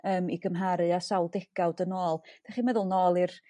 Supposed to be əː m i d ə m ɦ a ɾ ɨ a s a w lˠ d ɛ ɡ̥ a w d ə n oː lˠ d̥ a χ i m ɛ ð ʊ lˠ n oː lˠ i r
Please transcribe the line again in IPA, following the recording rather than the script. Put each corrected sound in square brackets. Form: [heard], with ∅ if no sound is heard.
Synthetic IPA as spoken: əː m i [ɡ] ə m ɦ a ɾ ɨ a s a w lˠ d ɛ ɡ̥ a w d ə n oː lˠ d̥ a χ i m ɛ ð ʊ lˠ n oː lˠ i r